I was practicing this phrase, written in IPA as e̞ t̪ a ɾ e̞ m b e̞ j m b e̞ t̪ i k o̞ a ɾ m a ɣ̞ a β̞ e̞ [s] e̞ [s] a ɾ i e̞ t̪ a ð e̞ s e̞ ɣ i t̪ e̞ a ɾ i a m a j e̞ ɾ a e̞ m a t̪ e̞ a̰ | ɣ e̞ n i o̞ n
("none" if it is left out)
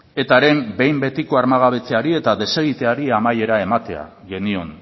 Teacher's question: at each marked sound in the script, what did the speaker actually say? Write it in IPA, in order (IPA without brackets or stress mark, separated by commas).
t͡s, none